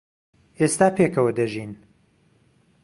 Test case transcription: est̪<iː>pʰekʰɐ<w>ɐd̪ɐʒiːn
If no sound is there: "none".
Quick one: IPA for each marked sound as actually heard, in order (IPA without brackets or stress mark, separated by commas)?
aː, w